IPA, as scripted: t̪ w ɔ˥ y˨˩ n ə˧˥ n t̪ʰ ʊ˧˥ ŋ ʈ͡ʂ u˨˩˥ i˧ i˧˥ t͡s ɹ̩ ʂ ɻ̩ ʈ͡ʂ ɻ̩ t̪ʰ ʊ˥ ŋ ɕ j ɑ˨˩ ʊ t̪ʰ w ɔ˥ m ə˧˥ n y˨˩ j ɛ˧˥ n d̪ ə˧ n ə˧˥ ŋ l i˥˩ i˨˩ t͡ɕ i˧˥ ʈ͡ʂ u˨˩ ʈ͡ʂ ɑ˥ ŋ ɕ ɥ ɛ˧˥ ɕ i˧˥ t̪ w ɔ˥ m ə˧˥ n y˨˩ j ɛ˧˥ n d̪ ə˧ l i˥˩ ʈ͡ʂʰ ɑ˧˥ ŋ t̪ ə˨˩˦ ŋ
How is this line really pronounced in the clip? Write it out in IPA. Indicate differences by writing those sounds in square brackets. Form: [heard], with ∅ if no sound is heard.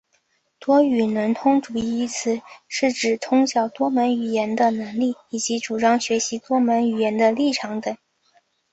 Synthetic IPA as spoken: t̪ w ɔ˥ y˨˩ n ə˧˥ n t̪ʰ [ʊ˥] ŋ ʈ͡ʂ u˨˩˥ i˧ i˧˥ [t͡sʰ] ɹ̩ ʂ ɻ̩ ʈ͡ʂ ɻ̩ t̪ʰ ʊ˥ ŋ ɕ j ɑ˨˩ ʊ [t̪] w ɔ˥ m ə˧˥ n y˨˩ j ɛ˧˥ n d̪ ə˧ n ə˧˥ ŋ l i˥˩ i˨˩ t͡ɕ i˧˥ ʈ͡ʂ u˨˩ ʈ͡ʂ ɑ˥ ŋ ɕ ɥ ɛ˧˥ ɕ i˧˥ t̪ w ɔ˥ m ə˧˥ n y˨˩ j ɛ˧˥ n d̪ ə˧ l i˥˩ ʈ͡ʂʰ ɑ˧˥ ŋ t̪ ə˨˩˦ ŋ